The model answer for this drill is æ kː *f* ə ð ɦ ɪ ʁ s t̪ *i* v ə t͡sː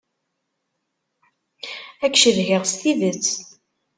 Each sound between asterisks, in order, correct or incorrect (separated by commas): incorrect, correct